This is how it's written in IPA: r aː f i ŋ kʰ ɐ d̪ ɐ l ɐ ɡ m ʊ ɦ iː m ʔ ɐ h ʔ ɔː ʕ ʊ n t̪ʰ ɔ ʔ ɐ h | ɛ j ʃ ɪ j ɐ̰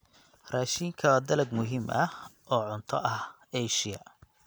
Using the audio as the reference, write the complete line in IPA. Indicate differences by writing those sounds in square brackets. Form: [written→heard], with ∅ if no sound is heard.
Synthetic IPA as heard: r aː [f→ʃ] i ŋ kʰ ɐ d̪ ɐ l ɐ ɡ m ʊ ɦ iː m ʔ ɐ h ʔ ɔː ʕ ʊ n t̪ʰ ɔ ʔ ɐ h | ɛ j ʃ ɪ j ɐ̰

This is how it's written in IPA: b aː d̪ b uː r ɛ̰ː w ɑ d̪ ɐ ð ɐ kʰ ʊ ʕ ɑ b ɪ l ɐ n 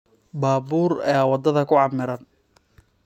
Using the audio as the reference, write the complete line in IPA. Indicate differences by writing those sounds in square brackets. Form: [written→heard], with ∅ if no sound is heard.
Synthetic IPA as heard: b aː [d̪→∅] b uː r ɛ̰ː w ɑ d̪ ɐ ð ɐ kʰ ʊ ʕ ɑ [b→m] ɪ [l→ɾ] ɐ n

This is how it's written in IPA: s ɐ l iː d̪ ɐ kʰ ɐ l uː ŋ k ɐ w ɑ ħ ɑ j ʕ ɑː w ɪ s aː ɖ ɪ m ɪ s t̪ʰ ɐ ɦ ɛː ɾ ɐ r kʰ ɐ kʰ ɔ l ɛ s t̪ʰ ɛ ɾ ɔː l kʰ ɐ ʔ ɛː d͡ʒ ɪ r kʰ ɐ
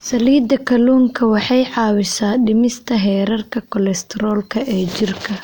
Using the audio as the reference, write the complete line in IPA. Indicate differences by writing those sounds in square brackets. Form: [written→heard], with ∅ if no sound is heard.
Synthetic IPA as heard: s ɐ l iː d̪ ɐ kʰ ɐ l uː ŋ [k→kʰ] ɐ w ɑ ħ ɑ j ʕ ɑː w ɪ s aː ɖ ɪ m ɪ s t̪ʰ ɐ ɦ ɛː ɾ ɐ r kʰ ɐ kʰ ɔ l ɛ s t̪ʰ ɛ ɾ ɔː l kʰ ɐ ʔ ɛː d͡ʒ ɪ r kʰ ɐ

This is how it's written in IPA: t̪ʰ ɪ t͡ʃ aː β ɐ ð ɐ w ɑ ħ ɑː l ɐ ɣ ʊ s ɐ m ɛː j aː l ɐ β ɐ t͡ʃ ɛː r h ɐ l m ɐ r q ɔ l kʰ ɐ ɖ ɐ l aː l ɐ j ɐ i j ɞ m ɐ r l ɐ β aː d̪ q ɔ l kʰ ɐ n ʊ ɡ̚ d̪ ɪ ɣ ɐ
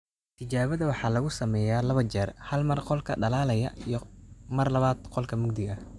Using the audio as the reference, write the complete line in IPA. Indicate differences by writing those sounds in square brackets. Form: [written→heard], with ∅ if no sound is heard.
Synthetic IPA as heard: t̪ʰ ɪ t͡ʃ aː β ɐ ð ɐ w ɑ ħ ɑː l ɐ ɣ ʊ s ɐ m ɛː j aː l ɐ β ɐ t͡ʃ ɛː r h ɐ l m ɐ r q ɔ l kʰ ɐ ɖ ɐ l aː l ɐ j ɐ i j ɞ m ɐ r l ɐ β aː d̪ q ɔ l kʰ ɐ [n→m] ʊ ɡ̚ d̪ ɪ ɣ ɐ

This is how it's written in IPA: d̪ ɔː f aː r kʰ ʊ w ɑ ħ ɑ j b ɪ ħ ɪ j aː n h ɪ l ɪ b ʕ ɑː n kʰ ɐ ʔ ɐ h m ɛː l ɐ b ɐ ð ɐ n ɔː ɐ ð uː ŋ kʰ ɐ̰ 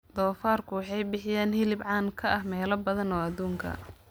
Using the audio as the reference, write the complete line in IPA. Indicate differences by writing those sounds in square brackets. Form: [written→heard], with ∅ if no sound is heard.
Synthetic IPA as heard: d̪ ɔː f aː r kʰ ʊ w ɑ ħ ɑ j b ɪ ħ ɪ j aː n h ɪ l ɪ b ʕ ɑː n kʰ ɐ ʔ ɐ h m ɛː l ɐ b ɐ ð ɐ n ɔː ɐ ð uː ŋ kʰ ɐ̰

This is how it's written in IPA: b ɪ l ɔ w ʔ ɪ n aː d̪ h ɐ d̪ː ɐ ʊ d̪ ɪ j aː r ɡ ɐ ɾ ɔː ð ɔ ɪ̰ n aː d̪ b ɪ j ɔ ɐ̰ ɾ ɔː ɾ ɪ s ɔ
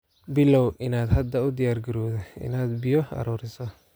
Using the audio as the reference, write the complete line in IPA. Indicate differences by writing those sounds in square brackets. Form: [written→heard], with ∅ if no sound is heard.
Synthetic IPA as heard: b ɪ l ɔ w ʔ ɪ n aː d̪ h ɐ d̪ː ɐ ʊ d̪ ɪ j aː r ɡ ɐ ɾ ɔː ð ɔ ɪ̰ n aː d̪ b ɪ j ɔ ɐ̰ ɾ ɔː ɾ ɪ s ɔ

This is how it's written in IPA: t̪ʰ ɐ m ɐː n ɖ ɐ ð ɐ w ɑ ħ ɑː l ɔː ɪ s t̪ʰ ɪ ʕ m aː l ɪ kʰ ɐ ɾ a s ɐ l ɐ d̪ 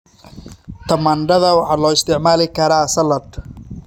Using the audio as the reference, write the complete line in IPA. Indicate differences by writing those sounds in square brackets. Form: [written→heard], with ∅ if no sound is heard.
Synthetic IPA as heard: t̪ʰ ɐ m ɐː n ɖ ɐ ð ɐ w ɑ ħ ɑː l ɔː ɪ s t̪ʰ ɪ ʕ m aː l ɪ kʰ ɐ ɾ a s ɐ l ɐ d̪

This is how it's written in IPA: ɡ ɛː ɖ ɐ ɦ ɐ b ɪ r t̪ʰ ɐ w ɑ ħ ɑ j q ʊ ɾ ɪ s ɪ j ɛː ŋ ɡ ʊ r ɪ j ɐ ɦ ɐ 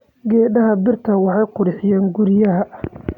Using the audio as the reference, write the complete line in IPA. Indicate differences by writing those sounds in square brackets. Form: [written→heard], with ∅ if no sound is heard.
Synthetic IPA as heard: ɡ ɛː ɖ ɐ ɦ ɐ b ɪ r t̪ʰ ɐ w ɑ ħ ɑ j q ʊ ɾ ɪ [s→ħ] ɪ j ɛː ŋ ɡ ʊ [r→ɾ] ɪ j ɐ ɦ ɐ

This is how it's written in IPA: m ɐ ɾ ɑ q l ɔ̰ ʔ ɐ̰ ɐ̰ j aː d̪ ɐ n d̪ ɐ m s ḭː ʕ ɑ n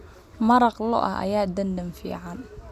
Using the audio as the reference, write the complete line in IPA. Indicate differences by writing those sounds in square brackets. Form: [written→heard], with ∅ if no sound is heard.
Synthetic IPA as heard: m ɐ ɾ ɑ q l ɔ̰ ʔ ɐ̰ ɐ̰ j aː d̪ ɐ n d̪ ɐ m [s→f] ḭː ʕ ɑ n

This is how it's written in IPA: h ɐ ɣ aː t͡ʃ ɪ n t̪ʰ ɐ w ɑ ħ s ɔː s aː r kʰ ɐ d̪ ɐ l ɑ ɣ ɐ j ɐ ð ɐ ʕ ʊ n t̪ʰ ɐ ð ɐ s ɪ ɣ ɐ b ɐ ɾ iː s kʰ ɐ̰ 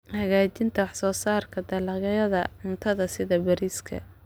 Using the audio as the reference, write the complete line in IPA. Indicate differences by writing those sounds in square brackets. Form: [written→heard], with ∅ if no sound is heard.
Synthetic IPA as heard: h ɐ ɣ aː t͡ʃ ɪ n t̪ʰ ɐ w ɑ ħ s ɔː s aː r kʰ ɐ d̪ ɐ l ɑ ɣ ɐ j ɐ ð ɐ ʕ ʊ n t̪ʰ ɐ ð ɐ s ɪ [ɣ→ð] ɐ b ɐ ɾ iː s kʰ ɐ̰

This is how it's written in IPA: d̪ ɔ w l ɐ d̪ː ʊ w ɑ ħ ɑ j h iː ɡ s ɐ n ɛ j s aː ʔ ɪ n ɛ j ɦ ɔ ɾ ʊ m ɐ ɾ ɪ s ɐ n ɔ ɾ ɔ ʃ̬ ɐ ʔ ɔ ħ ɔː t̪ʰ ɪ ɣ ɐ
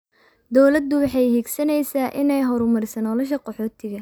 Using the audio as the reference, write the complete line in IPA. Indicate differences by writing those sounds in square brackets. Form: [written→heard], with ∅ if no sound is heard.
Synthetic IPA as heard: d̪ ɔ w l ɐ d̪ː ʊ w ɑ ħ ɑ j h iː ɡ s ɐ n ɛ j s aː ʔ ɪ n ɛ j ɦ ɔ ɾ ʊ m ɐ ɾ ɪ s ɐ n ɔ [ɾ→l] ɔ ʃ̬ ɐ [ʔ→q] ɔ ħ ɔː t̪ʰ ɪ ɣ ɐ

